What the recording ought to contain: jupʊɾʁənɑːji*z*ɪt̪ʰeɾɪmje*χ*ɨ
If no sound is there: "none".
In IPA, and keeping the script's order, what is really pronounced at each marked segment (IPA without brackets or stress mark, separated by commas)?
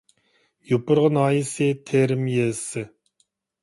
s, s